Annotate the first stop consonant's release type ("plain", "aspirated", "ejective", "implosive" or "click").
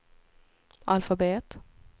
plain